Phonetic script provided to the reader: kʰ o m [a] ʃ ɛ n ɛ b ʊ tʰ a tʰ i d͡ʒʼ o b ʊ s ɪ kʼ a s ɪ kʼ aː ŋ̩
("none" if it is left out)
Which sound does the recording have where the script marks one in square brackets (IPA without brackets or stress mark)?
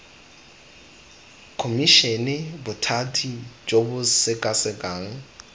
i